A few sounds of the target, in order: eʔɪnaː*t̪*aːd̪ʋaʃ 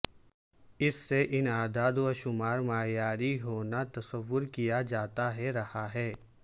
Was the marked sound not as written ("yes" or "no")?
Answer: yes